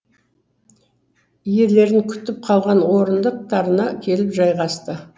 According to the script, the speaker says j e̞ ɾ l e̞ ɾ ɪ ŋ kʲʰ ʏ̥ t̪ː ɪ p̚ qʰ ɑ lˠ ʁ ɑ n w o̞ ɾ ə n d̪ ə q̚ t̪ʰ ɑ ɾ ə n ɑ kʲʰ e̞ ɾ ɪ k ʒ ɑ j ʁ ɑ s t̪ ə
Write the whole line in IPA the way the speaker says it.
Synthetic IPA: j e̞ ɾ l e̞ ɾ ɪ ŋ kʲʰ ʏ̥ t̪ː ɪ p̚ qʰ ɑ lˠ ʁ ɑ n w o̞ ɾ ə n d̪ ə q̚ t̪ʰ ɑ ɾ ə n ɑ kʲʰ e̞ l ɪ p ʒ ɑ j ʁ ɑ s t̪ ə